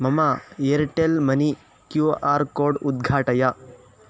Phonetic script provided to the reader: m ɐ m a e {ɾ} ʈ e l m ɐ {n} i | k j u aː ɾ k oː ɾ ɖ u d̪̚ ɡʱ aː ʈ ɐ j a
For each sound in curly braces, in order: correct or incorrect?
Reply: correct, correct

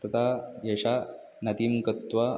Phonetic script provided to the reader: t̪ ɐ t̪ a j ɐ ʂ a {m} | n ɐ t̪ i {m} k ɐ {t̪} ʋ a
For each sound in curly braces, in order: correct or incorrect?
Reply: incorrect: none, correct, correct

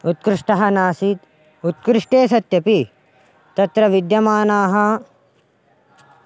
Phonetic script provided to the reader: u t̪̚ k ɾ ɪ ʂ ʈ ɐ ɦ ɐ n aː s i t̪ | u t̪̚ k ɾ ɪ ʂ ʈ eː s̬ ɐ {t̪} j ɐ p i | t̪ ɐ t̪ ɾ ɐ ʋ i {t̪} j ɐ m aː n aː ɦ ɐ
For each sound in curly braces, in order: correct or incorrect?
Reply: correct, incorrect: d̪

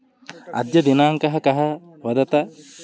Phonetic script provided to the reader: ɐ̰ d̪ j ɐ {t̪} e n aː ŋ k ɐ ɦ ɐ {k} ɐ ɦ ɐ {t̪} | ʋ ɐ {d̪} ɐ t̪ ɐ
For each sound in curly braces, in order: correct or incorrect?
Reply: incorrect: d̪, correct, incorrect: none, correct

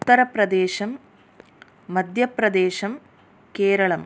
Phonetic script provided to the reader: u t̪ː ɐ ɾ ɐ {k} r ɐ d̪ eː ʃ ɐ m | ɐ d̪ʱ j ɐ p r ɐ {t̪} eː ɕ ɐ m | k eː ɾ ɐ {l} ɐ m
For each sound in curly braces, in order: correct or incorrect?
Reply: incorrect: p, incorrect: d̪, incorrect: ɭ

